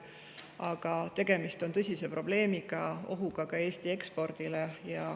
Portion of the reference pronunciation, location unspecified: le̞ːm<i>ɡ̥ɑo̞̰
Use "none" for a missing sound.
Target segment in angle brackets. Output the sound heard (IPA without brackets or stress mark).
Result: i